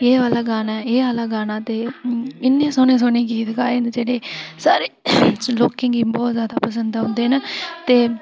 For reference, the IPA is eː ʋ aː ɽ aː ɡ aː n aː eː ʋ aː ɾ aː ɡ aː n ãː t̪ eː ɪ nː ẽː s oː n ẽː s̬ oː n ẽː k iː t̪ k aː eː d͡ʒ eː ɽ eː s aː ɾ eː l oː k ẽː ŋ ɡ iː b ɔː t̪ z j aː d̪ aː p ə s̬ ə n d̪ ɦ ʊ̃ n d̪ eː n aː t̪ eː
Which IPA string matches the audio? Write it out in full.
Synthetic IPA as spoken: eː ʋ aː l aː ɡ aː n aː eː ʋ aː l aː ɡ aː n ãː t̪ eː ɪ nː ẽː s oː n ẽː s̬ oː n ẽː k iː t̪ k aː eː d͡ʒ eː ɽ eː s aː ɾ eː l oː k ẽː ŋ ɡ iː b ɔː t̪ z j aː d̪ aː p ə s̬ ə n d̪ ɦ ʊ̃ n d̪ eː n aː t̪ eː